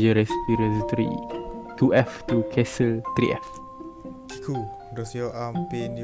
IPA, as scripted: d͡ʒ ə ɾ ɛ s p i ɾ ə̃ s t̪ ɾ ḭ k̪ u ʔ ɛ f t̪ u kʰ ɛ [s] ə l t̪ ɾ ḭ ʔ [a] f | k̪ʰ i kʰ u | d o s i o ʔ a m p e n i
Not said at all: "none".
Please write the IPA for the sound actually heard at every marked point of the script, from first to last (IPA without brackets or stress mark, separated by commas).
s, ɛ